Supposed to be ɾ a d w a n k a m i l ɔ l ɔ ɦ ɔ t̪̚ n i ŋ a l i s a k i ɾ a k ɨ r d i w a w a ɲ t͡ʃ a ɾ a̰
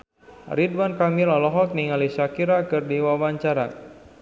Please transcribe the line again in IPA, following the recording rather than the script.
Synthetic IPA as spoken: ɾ i d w a n k a m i l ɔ l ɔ ɦ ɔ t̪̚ n i ŋ a l i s a k i ɾ a k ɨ r d i w a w a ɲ t͡ʃ a ɾ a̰